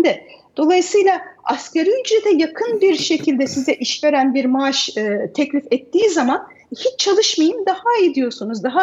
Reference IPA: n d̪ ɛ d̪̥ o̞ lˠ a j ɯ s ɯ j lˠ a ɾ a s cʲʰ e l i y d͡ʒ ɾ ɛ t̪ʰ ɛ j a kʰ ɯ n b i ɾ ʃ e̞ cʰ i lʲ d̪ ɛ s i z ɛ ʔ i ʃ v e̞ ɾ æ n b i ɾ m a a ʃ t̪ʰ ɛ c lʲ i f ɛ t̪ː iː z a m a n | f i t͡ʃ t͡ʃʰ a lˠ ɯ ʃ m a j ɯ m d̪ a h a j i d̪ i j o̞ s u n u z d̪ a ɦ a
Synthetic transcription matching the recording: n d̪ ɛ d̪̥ o̞ lˠ a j ɯ s ɯ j lˠ a a s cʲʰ e ɾ i y d͡ʒ ɾ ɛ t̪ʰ ɛ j a kʰ ɯ n b i ɾ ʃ e̞ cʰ i lʲ d̪ ɛ s i z ɛ ʔ i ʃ v e̞ ɾ æ n b i ɾ m a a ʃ t̪ʰ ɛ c lʲ i f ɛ t̪ː iː z a m a n | h i t͡ʃ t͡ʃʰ a lˠ ɯ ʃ m a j ɯ m d̪ a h a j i d̪ i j o̞ s u n u z d̪ a ɦ a